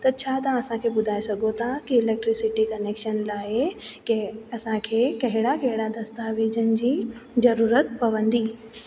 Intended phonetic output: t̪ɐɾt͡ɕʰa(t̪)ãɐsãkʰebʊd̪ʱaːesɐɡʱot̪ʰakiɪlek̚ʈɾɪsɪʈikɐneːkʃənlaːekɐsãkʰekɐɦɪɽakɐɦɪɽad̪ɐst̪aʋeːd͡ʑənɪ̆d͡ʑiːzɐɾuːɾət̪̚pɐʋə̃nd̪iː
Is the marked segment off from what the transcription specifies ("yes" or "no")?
no